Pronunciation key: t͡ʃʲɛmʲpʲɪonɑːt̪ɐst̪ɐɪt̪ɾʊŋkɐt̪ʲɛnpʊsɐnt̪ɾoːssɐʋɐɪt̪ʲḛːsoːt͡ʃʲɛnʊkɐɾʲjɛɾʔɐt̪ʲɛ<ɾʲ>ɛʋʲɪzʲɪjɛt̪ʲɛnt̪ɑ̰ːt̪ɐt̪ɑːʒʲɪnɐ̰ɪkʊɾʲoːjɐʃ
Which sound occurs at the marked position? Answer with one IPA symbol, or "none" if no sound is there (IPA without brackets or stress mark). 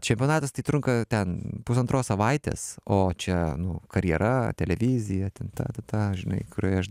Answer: lʲ